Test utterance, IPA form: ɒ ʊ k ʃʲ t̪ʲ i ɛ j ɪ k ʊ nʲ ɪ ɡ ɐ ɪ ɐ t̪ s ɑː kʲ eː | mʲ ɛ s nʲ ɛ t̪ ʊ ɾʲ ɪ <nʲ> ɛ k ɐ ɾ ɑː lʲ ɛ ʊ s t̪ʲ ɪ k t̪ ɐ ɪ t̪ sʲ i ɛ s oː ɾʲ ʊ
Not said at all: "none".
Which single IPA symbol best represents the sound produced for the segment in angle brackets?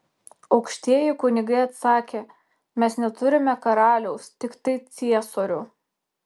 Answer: mʲ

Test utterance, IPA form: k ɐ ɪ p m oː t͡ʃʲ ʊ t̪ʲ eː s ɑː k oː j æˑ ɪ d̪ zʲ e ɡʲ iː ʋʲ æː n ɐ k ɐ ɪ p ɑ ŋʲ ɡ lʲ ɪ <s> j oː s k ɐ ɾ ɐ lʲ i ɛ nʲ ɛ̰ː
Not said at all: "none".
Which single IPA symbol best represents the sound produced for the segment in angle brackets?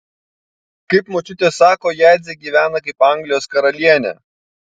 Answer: none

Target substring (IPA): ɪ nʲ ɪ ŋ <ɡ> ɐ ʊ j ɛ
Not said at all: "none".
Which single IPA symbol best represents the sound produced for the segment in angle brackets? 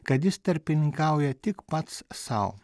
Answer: k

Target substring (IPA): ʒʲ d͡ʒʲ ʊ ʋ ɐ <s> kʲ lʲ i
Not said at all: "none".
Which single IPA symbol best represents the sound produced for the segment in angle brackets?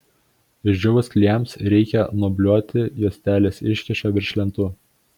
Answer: s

